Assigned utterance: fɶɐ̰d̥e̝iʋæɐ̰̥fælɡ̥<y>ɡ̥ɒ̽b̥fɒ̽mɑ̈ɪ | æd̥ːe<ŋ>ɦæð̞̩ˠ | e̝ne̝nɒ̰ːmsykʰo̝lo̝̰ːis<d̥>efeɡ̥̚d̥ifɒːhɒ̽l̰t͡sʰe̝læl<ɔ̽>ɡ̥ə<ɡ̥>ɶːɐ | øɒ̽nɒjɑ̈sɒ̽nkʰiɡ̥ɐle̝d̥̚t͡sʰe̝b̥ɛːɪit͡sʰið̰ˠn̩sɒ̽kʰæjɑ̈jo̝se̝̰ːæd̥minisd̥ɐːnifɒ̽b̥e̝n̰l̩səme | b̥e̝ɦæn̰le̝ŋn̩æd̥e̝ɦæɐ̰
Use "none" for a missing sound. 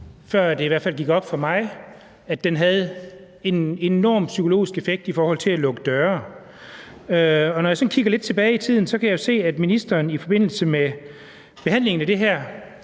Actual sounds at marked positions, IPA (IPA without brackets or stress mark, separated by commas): i, n, ɡ̥, ɔ̽, d̥